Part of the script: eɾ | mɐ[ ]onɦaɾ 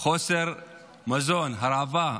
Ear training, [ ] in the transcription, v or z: z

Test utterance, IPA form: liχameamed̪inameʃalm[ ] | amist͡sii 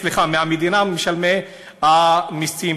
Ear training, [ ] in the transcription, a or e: e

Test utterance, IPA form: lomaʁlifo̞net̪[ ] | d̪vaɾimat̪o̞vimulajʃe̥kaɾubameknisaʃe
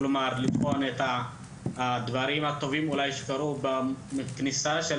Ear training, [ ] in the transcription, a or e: a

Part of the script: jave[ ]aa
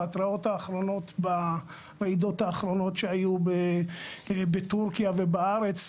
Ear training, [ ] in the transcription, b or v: b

